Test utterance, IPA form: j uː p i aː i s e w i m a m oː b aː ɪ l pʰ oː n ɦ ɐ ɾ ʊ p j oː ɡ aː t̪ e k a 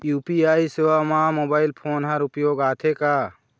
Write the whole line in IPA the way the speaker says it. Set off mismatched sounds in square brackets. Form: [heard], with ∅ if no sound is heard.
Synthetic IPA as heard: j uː p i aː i s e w [a] m a m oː b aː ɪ l pʰ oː n ɦ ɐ ɾ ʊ p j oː ɡ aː [t̪ʰ] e k a

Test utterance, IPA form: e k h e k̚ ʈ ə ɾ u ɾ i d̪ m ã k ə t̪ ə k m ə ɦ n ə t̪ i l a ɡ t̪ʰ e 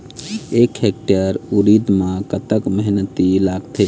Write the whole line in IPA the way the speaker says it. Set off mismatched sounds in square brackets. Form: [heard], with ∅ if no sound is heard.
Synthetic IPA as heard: e k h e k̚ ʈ ə ɾ u ɾ i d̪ m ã k ə t̪ ə k m ə ɦ n ə t̪ i l a ɡ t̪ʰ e

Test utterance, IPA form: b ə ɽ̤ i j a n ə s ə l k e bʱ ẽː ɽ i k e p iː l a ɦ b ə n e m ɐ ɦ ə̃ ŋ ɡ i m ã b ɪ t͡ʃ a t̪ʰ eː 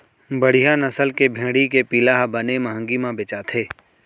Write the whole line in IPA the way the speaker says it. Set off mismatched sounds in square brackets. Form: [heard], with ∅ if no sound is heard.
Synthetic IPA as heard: b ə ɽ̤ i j a n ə s ə l k e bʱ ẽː ɽ i k e p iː l a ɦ b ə n e m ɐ ɦ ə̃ ŋ ɡ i m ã b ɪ t͡ʃ a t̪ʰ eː

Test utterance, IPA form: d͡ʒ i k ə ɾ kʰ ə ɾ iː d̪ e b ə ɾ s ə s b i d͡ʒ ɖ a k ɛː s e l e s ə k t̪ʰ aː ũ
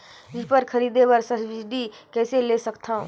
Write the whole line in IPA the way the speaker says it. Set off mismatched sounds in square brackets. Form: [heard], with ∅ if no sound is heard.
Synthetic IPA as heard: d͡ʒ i [p] ə ɾ kʰ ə ɾ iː d̪ e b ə ɾ s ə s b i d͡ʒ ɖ [i] k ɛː s e l e s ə k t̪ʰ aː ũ

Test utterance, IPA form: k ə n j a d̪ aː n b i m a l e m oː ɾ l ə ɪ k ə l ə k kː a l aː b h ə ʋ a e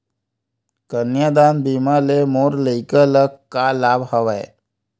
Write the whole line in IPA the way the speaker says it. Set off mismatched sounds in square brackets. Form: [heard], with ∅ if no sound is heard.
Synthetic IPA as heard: k ə n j a d̪ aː n b i m a l e m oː ɾ l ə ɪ k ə l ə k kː a l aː b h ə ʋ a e

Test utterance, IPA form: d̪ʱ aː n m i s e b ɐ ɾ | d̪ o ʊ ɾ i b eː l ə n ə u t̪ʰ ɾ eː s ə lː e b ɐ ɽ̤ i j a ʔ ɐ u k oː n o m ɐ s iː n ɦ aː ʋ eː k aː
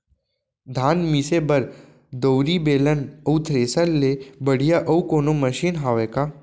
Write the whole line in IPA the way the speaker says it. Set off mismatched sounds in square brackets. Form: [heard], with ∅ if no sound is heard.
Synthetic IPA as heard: d̪ʱ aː n m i s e b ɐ ɾ | d̪ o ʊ ɾ i b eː l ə n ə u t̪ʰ ɾ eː s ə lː e b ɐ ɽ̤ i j a ʔ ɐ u k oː n o m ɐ [ʃ] iː n ɦ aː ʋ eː k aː

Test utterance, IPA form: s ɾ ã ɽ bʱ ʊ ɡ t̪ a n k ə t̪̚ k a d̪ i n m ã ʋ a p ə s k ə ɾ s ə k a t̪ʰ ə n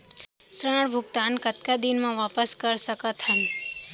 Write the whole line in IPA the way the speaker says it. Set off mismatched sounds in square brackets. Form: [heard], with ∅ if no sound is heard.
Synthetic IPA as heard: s ɾ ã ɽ bʱ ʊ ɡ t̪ a n k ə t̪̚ k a d̪ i n m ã ʋ a p ə s k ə ɾ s ə k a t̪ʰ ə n

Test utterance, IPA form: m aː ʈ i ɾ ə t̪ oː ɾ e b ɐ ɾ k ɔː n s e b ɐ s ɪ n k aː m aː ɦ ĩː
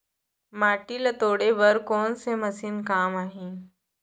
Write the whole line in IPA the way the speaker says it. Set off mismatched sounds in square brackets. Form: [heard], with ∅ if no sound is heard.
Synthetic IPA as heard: m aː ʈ i [l] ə t̪ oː [ɽ] e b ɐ ɾ k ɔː n s e [m] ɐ s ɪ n k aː m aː ɦ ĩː

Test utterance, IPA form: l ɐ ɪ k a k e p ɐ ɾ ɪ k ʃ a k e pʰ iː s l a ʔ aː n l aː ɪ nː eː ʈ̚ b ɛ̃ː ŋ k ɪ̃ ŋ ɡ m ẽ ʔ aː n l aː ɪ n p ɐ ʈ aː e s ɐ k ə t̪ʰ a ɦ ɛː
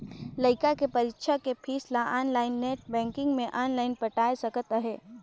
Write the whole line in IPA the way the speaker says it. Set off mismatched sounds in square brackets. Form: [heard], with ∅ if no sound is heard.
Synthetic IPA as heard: l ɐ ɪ k a k e p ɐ ɾ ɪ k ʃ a k e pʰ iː s l a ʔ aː n l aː ɪ nː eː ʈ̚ b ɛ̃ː ŋ k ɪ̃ ŋ ɡ m ẽ ʔ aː n l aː ɪ n p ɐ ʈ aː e s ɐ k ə [t̪] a ɦ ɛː

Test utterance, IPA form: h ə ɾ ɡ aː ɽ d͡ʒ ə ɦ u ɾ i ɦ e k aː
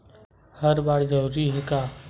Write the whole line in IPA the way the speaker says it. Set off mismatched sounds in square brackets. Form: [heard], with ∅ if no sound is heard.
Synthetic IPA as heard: h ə ɾ [b] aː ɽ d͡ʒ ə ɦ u ɾ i ɦ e k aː

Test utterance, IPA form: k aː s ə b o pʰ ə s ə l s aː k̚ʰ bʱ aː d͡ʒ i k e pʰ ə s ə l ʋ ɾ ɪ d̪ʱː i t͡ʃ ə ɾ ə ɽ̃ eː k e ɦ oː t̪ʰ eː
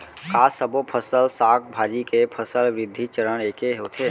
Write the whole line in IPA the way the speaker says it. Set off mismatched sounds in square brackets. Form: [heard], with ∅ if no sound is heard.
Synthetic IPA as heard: k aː s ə b o pʰ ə s ə l s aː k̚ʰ bʱ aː d͡ʒ i k e pʰ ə s ə l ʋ ɾ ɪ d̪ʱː i t͡ʃ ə ɾ ə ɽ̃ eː k e ɦ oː t̪ʰ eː

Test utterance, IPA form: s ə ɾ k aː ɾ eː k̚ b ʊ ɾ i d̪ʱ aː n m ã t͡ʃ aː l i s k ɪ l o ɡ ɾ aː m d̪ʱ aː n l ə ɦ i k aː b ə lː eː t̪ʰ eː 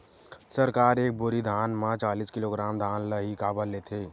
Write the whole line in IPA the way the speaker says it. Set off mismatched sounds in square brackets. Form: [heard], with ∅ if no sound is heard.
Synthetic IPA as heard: s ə ɾ k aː ɾ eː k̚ b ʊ ɾ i d̪ʱ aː n m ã t͡ʃ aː l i s k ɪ l o ɡ ɾ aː m d̪ʱ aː n l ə ɦ i k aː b ə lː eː t̪ʰ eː

